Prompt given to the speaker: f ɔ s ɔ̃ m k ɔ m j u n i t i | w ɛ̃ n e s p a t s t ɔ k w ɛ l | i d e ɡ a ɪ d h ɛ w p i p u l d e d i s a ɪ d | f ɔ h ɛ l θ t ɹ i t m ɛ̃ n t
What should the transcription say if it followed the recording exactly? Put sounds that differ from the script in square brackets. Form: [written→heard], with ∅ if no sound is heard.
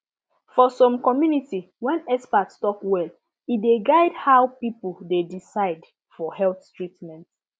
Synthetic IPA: f ɔ s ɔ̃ m k ɔ m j u n i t i | w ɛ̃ n [e→ɛ] s p a t s t ɔ k w ɛ l | i d e ɡ a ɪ d h [ɛ→a] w p i p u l d e d i s a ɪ d | f ɔ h ɛ l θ t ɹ i t m ɛ̃ n t